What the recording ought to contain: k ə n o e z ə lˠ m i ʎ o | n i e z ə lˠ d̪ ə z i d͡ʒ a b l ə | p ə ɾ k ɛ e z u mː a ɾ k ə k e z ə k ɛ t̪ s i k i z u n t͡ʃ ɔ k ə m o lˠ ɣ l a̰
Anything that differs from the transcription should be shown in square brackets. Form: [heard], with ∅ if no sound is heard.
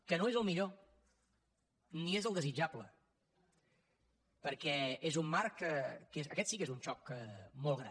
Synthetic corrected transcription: k ə n o e z ə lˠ m i ʎ o | n i e z ə lˠ d̪ ə z i d͡ʒ a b l ə | p ə ɾ k ɛ e z u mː a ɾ k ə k e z ə k ɛ t̪ s i k [e] z u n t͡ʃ ɔ k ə m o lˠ ɣ [ɾ] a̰